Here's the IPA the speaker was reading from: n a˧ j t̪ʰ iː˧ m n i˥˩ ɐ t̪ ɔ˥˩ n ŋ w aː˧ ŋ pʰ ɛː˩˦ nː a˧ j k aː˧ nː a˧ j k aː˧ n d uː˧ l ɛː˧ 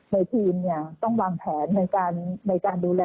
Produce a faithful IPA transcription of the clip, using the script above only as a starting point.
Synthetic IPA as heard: n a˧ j t̪ʰ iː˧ m n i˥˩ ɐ t̪ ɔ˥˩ ŋ w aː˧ ŋ pʰ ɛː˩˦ nː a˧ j k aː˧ nː a˧ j k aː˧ n d uː˧ l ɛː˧